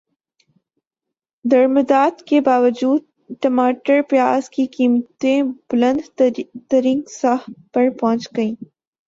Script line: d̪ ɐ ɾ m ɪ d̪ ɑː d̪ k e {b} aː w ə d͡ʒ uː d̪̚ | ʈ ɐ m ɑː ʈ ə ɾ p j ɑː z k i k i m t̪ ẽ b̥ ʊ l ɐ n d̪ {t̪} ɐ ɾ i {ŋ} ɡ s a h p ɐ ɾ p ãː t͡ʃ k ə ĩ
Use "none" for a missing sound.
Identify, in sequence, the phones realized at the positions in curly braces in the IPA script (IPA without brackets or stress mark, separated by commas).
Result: b, t̪, ŋ